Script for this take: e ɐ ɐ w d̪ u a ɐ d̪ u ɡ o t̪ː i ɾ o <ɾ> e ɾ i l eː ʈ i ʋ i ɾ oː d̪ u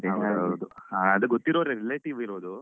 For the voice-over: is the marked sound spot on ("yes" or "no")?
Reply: yes